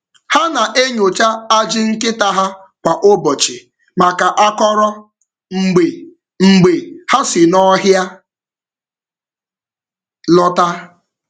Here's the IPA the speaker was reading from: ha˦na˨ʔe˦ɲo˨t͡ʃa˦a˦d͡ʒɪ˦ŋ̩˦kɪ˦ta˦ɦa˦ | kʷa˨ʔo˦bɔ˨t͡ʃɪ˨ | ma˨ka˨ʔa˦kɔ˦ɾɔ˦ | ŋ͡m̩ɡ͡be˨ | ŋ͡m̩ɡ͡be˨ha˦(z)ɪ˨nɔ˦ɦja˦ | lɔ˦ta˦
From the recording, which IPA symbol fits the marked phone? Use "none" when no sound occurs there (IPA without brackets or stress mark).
s